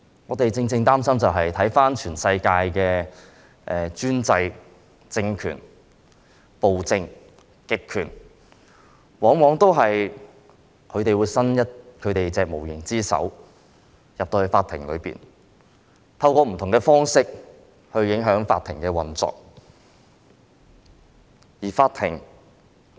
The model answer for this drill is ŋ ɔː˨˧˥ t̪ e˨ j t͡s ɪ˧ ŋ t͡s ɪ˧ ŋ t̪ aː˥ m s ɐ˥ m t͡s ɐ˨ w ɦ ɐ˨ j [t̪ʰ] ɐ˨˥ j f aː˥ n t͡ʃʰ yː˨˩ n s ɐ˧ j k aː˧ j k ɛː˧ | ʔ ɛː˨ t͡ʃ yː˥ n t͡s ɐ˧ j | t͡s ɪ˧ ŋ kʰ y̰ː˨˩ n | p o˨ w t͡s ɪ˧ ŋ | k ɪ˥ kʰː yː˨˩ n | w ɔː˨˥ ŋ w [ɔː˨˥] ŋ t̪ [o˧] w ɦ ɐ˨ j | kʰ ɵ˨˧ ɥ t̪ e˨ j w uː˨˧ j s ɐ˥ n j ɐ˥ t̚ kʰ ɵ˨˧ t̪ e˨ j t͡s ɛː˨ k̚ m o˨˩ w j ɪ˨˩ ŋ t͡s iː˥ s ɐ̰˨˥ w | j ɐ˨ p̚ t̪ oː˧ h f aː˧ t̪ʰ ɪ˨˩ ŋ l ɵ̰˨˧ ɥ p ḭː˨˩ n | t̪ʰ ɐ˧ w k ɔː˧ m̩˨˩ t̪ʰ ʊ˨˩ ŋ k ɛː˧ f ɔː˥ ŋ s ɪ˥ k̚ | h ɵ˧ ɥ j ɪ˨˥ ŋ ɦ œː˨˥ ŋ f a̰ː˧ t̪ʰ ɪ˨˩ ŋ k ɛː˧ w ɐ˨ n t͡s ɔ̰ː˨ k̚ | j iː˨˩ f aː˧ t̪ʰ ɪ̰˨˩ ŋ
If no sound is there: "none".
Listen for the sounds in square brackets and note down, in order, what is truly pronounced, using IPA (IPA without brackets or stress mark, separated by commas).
t̪ʰ, ɔː˨˥, o˥